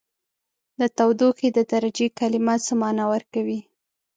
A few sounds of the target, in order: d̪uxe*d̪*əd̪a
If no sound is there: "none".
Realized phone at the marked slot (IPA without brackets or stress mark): d̪